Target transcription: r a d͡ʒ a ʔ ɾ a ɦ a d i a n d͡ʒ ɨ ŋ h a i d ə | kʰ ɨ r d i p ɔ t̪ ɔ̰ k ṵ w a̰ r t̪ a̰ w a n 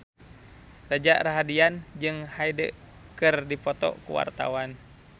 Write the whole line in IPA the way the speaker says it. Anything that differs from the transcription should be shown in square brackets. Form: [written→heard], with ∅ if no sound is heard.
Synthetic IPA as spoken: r a d͡ʒ a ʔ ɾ a ɦ a d i a n d͡ʒ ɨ ŋ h a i d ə | [kʰ→k] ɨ r d i p ɔ t̪ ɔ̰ k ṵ w a̰ r t̪ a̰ w a n